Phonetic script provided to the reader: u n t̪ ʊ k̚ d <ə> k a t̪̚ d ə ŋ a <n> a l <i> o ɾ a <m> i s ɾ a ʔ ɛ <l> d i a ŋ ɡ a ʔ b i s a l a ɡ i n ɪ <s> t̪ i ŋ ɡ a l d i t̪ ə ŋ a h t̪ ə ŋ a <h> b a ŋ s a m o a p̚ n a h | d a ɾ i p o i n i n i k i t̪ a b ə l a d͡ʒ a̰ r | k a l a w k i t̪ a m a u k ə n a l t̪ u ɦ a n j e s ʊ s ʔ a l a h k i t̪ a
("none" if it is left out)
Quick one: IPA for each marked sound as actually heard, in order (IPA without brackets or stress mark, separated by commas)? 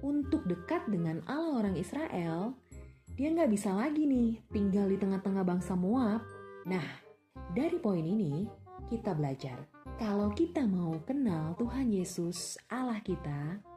ə, n, a, ŋ, l, h, h